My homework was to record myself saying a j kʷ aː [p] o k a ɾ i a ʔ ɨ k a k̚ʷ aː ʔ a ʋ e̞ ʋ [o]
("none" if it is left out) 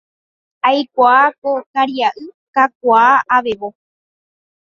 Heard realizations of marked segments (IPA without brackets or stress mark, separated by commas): k, o